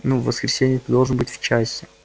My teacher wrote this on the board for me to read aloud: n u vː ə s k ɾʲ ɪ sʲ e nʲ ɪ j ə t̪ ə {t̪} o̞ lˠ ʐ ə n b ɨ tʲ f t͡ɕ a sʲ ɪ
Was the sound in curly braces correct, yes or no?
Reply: no